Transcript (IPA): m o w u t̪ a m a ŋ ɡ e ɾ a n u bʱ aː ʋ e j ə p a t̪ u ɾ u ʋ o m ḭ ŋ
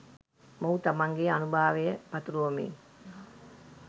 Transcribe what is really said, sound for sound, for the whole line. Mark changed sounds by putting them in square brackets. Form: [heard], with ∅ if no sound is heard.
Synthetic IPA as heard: m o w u t̪ a m a ŋ ɡ e [∅] a n u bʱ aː ʋ e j ə p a t̪ u ɾ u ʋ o m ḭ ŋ